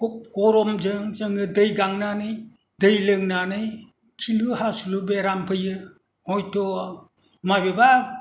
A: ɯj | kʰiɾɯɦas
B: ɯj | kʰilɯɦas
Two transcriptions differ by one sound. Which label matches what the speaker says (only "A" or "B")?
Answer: B